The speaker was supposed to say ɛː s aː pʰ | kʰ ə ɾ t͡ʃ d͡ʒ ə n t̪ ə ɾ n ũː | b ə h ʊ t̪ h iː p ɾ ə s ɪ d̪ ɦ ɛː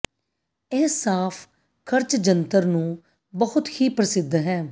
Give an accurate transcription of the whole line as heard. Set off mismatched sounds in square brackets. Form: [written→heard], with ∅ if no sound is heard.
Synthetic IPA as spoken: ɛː s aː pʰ | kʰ ə ɾ t͡ʃ d͡ʒ ə n t̪ ə ɾ n ũː | b ə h ʊ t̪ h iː p ɾ ə s ɪ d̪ ɦ ɛː